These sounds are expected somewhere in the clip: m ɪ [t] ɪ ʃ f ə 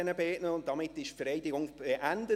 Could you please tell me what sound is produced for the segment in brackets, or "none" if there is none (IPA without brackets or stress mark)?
t